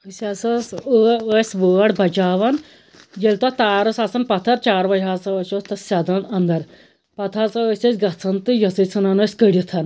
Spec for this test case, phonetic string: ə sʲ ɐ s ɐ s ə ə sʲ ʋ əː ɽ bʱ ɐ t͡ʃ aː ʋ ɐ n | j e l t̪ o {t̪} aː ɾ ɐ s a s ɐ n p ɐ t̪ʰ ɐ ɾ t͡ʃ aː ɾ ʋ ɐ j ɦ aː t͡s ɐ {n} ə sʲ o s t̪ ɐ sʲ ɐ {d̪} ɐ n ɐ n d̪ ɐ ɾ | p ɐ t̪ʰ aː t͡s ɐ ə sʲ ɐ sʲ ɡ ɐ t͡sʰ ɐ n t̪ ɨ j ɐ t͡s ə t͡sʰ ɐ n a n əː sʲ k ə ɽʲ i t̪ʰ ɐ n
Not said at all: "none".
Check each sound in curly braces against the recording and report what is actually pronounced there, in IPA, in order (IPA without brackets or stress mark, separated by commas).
t̪, none, d̪